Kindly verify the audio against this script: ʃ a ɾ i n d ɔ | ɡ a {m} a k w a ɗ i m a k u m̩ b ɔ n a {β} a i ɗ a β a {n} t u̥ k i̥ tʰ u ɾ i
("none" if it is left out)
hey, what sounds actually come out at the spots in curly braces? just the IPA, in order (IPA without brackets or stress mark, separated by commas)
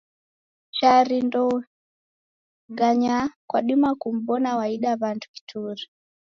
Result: ɲ, w, n